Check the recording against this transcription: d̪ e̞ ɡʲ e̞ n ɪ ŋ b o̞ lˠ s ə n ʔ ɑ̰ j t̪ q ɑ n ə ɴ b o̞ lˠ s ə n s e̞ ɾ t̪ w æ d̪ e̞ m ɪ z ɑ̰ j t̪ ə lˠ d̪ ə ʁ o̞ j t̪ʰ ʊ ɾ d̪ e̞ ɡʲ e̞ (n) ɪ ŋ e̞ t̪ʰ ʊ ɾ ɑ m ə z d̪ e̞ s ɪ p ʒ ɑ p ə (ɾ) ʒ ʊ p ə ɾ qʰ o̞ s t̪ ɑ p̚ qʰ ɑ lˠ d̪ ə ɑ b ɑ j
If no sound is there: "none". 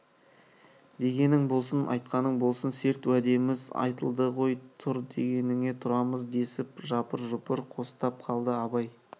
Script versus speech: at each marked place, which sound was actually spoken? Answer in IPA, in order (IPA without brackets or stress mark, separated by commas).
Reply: n, ɾ